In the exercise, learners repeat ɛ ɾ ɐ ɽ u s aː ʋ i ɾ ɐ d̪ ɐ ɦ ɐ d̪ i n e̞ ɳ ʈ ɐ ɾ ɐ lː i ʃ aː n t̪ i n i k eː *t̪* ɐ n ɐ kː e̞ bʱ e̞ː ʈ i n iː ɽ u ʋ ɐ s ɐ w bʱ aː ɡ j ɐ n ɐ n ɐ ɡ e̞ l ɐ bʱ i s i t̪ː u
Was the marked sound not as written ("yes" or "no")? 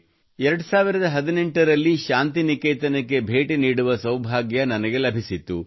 no